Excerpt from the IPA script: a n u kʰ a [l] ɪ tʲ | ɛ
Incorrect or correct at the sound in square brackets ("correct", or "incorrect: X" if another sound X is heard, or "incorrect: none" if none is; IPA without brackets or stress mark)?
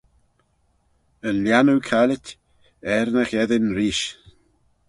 correct